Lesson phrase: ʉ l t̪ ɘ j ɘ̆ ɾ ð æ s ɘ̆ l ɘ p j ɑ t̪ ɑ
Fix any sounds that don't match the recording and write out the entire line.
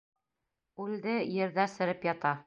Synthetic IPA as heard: ʉ l d̪ ɘ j ɘ̆ ɾ ð æ s ɘ̆ ɾ ɘ p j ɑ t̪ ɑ